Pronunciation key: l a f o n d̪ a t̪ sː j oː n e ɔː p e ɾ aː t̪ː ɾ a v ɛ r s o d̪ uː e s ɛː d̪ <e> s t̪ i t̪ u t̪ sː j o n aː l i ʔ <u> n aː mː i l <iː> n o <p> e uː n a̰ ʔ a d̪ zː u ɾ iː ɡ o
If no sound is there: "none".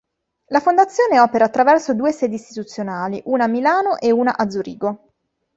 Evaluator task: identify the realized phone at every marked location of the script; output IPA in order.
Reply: i, uː, aː, ʔ

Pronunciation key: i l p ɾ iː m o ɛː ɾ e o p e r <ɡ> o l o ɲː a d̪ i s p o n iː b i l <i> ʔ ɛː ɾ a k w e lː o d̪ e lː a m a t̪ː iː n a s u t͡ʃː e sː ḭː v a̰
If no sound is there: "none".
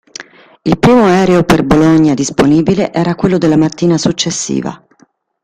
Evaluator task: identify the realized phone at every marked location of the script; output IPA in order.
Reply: b, e

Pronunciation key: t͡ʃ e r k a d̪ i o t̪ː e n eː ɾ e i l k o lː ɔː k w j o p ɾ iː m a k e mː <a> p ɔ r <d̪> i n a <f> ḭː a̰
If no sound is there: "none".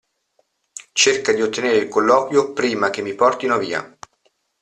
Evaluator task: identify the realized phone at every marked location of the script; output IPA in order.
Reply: i, t̪, v

